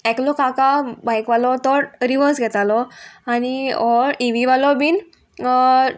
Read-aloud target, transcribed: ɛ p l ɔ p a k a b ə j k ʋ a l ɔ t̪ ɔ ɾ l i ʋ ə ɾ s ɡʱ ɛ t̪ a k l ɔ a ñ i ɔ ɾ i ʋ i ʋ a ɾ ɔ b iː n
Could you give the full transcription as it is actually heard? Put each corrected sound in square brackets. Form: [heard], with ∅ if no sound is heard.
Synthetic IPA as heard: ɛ [k] l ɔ [k] a k a b [a] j k ʋ a l ɔ t̪ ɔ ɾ [ɾ] i ʋ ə ɾ s ɡʱ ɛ t̪ a [∅] l ɔ a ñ i ɔ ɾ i ʋ i ʋ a [l] ɔ b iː n